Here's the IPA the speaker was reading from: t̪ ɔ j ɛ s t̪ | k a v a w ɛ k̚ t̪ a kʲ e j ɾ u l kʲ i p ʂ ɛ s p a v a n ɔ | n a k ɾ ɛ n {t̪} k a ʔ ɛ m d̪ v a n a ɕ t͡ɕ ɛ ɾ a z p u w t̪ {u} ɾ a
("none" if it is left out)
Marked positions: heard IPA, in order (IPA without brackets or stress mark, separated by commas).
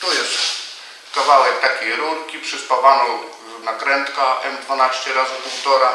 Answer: t̪, ɔ